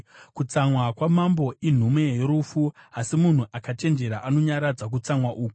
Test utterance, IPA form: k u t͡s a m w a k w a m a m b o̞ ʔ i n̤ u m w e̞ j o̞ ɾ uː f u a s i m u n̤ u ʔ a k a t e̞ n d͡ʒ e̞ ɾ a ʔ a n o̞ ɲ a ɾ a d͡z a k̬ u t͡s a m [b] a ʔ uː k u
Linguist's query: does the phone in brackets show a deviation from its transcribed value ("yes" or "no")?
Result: yes